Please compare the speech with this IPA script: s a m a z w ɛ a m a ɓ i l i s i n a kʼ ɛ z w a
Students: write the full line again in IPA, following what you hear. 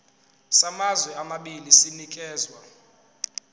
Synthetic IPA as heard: s a m a z w ɛ a m a ɓ i l i s i n i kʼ ɛː z w a